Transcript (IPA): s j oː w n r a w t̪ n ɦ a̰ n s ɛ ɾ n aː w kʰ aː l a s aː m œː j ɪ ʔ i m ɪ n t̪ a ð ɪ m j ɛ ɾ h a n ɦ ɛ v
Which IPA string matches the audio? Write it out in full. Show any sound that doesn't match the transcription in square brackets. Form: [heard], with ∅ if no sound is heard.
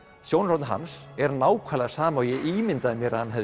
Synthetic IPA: s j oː w n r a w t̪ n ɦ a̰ n s ɛ ɾ n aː w kʰ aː l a s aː m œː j ɪ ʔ i m ɪ n t̪ a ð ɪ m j ɛ ɾ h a n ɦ ɛ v